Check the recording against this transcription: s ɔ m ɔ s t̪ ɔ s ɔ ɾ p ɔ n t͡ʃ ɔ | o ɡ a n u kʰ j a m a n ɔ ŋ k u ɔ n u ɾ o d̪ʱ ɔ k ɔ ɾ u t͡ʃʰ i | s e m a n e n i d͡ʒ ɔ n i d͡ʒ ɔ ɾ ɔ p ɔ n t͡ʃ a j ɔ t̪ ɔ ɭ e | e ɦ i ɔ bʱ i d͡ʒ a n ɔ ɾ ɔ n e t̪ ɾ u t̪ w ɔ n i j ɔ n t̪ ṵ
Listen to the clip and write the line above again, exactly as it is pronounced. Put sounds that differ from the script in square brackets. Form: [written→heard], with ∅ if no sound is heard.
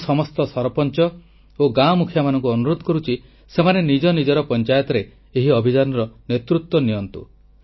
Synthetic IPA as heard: s ɔ m ɔ s t̪ ɔ s ɔ ɾ p ɔ n t͡ʃ ɔ | o ɡ a [n→m] u kʰ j a m a n ɔ ŋ k u ɔ n u ɾ o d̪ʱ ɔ k ɔ ɾ u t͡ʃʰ i | s e m a n e n i d͡ʒ ɔ n i d͡ʒ ɔ ɾ ɔ p ɔ n t͡ʃ a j ɔ t̪ ɔ [ɭ→ɾ] e | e ɦ i ɔ bʱ i d͡ʒ a n ɔ ɾ ɔ n e t̪ ɾ u t̪ w ɔ n i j ɔ n t̪ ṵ